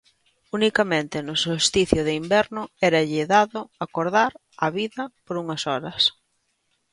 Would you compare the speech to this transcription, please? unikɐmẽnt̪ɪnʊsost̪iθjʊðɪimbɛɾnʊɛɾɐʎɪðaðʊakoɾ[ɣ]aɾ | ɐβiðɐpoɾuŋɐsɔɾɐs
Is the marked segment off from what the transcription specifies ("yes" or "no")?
yes